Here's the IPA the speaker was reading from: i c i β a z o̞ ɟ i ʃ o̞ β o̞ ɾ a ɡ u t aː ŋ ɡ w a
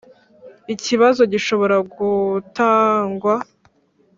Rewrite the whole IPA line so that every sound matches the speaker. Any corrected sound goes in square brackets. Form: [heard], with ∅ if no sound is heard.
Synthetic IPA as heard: i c i β a z o̞ ɟ i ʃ o̞ β o̞ ɾ a ɡ u t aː ŋ ɡ w a